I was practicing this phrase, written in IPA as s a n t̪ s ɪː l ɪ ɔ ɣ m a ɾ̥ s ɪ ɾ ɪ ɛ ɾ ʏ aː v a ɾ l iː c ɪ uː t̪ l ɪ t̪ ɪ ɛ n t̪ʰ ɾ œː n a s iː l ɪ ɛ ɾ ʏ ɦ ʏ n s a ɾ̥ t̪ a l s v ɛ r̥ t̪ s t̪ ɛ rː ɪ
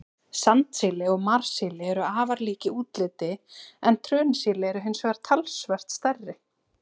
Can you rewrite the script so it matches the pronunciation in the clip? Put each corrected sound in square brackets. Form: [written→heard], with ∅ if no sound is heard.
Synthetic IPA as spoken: s a n t̪ s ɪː l ɪ ɔ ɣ m a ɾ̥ s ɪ [ɾ→l] ɪ ɛ ɾ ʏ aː v a ɾ l iː c ɪ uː t̪ l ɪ t̪ ɪ ɛ n t̪ʰ ɾ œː n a s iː l ɪ ɛ ɾ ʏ ɦ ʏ n s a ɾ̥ [t̪→t̪ʰ] a l s v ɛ r̥ t̪ s t̪ ɛ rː ɪ